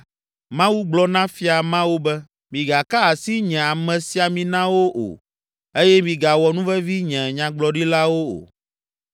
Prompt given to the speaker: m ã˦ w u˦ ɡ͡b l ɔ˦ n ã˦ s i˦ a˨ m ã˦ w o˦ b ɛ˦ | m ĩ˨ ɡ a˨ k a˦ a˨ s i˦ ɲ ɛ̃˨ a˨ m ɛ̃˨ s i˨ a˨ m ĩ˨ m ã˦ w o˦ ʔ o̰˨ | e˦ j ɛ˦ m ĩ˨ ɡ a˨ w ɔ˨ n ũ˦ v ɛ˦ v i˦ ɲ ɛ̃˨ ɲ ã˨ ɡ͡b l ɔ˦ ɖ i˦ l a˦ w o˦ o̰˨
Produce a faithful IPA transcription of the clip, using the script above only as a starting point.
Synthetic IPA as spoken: m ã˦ w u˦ ɡ͡b l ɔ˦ n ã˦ f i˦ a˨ m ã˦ w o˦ b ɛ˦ | m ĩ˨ ɡ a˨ k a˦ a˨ s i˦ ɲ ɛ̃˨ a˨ m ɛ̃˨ s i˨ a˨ m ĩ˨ n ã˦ w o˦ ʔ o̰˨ | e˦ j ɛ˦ m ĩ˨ ɡ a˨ w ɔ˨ n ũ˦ v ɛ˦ v i˦ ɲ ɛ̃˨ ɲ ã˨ ɡ͡b l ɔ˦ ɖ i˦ l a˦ w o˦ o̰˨